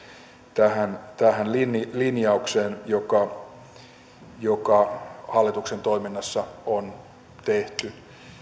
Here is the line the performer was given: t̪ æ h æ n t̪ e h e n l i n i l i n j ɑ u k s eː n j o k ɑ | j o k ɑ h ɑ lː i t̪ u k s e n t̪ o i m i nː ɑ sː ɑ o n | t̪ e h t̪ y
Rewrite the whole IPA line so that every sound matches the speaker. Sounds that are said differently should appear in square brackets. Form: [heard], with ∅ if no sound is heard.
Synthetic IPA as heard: t̪ æ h æ n t̪ [æ] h [æ] n l i n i l i n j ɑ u k s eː n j o k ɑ | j o k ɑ h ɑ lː i t̪ u k s e n t̪ o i m i nː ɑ sː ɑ o n | t̪ e h t̪ y